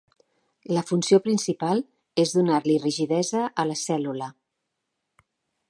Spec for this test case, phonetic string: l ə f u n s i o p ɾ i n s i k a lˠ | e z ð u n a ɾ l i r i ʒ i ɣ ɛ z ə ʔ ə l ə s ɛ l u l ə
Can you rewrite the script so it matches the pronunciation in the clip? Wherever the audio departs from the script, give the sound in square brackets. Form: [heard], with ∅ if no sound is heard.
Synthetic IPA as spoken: l ə f u n s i o p ɾ i n s i [p] a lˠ | e z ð u n a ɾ l i r i ʒ i [ð] ɛ z ə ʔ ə l ə s ɛ l u l ə